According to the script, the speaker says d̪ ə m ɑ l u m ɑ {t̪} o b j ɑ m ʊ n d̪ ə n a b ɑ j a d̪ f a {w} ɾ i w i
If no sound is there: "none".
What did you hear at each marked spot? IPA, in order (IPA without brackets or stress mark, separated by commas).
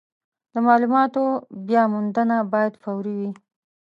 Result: t̪, w